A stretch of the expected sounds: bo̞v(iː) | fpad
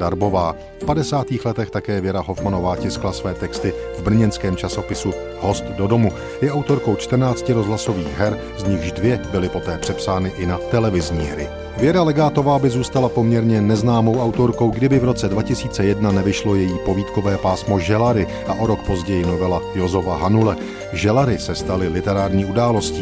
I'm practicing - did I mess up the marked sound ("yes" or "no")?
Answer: yes